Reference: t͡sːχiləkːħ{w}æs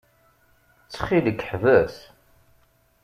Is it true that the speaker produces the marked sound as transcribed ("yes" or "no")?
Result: no